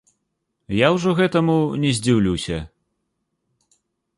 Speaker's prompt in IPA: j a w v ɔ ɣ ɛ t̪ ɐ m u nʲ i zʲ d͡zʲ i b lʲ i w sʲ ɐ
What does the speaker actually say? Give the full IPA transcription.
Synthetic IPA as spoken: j a w ʐ ɔ ɣ ɛ t̪ ɐ m u nʲ ɛ zʲ d͡zʲ i w lʲ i w sʲ ɐ